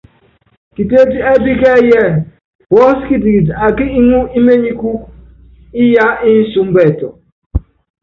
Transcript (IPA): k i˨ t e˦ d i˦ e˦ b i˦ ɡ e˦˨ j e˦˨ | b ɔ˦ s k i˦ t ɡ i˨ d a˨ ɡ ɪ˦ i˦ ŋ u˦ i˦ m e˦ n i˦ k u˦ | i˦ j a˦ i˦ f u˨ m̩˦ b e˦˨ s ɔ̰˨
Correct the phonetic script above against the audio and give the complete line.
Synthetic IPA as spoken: k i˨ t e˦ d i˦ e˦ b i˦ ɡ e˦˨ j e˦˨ | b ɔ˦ s k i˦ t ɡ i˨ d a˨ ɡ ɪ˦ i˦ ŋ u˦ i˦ m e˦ ɲ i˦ k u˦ | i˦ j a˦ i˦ s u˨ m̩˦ b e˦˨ t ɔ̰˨